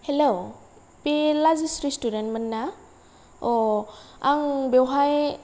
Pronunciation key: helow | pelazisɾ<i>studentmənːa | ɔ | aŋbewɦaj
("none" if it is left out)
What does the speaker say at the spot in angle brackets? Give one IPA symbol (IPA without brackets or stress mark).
i